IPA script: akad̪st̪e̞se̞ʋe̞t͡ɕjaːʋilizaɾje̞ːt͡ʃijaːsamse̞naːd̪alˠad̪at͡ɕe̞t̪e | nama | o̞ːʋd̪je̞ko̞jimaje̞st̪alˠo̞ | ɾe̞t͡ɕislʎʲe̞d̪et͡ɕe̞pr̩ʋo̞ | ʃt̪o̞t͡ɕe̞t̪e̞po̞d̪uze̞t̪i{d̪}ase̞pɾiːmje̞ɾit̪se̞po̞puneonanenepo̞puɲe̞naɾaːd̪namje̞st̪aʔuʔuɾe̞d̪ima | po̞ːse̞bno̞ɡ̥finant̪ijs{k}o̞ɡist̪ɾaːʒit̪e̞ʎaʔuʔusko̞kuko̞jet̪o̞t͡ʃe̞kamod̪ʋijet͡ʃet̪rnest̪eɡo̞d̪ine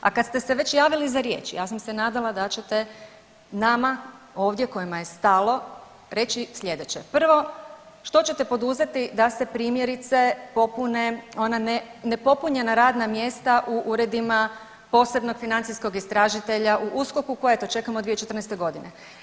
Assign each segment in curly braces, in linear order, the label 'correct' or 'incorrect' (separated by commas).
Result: correct, correct